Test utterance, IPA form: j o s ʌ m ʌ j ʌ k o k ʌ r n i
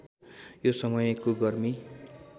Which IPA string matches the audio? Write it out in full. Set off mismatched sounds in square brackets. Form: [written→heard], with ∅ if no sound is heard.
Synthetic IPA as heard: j o s ʌ m ʌ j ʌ k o [k→ɡ] ʌ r [n→m] i